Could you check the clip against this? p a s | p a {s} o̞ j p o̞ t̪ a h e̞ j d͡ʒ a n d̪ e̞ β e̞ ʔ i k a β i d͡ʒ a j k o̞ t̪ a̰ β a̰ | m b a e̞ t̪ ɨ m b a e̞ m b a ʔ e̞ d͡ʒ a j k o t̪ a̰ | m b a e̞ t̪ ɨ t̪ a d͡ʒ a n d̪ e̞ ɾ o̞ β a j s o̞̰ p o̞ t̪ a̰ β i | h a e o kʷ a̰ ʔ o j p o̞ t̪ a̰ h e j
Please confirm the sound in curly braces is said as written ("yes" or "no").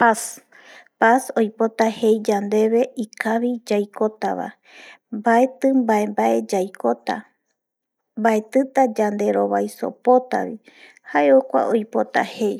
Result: yes